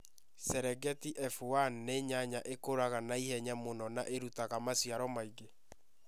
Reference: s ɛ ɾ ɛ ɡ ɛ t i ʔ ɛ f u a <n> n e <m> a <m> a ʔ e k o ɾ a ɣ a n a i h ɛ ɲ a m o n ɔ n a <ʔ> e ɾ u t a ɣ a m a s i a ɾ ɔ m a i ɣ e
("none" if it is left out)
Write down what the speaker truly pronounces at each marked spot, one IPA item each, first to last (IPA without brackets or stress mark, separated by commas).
n, ɲ, ɲ, ʔ